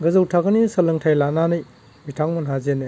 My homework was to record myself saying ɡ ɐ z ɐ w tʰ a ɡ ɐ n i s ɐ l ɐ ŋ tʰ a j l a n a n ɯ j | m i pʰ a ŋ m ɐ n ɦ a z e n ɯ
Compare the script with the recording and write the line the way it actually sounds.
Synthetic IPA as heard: ɡ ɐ z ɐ w tʰ a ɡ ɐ n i s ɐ l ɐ ŋ tʰ a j l a n a n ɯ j | m i tʰ a ŋ m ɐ n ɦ a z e n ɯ